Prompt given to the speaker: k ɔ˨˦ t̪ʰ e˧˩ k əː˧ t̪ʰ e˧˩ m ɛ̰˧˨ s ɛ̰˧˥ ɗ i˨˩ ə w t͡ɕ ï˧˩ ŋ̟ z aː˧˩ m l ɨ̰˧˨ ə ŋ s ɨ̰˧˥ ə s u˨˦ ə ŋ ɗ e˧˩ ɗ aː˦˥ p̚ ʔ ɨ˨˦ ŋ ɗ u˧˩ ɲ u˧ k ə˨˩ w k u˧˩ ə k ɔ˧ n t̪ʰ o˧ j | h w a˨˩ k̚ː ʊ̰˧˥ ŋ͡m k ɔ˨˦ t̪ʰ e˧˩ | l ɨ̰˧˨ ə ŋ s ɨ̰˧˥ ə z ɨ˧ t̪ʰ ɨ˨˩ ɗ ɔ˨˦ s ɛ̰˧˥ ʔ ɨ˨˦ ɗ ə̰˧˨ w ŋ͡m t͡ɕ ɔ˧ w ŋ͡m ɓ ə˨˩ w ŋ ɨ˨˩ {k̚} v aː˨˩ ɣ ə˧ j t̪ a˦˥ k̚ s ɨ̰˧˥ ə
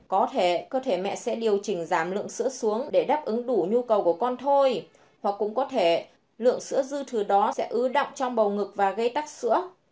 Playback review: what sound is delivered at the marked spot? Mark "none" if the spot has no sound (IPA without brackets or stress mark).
k̚